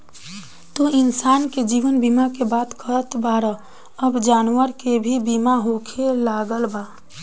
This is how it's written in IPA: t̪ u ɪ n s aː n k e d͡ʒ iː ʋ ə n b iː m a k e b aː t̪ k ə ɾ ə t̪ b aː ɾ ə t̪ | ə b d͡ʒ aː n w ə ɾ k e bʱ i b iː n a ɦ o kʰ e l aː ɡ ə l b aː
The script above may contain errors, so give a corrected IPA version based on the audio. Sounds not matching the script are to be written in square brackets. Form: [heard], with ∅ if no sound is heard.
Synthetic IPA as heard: t̪ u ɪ n s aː n k e d͡ʒ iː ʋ ə n b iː m a k e b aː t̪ k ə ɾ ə t̪ b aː ɾ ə [∅] | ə b d͡ʒ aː n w ə ɾ k e bʱ i b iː [m] a ɦ o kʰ e l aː ɡ ə l b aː